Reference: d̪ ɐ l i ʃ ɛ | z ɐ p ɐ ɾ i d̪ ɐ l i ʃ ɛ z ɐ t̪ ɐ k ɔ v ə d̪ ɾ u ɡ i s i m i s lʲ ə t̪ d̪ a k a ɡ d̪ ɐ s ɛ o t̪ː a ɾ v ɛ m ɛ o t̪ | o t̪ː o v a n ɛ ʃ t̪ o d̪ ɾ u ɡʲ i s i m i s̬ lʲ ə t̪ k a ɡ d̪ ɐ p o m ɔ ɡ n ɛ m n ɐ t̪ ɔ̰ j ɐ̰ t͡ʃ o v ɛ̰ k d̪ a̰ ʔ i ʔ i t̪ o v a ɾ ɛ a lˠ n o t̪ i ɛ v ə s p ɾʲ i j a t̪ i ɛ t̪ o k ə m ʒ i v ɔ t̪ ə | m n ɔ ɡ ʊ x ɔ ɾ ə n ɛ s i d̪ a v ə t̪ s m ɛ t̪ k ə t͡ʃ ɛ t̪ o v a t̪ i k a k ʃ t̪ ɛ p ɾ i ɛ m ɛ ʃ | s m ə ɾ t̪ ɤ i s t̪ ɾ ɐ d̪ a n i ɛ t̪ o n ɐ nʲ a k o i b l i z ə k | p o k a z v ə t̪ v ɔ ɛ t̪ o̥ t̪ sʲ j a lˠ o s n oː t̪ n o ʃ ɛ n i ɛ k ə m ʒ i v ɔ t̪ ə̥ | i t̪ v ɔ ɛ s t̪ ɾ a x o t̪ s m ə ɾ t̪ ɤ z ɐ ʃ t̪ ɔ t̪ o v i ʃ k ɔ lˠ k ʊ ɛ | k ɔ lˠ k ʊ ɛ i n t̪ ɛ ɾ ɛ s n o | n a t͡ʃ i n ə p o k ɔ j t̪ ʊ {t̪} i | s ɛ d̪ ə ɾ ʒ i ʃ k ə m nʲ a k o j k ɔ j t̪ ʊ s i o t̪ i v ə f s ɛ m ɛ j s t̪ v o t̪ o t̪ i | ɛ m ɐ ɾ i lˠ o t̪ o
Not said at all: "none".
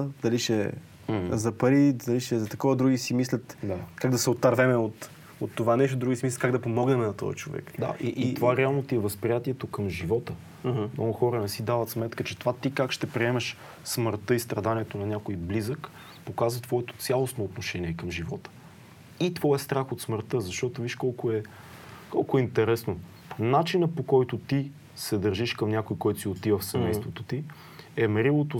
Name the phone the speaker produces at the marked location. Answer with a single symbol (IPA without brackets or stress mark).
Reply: t̪